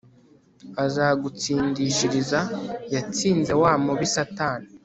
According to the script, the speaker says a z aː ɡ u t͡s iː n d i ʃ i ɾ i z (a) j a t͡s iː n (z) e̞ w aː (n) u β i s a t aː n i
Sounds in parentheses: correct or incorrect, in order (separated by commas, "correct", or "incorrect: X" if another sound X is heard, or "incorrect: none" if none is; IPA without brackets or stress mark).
correct, correct, incorrect: m